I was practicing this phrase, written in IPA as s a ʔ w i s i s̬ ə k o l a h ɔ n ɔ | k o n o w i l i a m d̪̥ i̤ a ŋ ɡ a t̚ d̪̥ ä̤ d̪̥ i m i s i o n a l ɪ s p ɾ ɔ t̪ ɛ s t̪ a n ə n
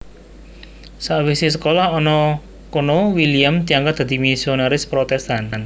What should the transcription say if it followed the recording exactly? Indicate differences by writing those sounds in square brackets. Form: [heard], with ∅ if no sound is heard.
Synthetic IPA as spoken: s a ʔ w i s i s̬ ə k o l a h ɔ n ɔ | k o n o w i l i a m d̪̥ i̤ a ŋ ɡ a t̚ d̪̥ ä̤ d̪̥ i m i s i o n a [ɾ] ɪ s p ɾ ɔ t̪ ɛ s t̪ a n [a] n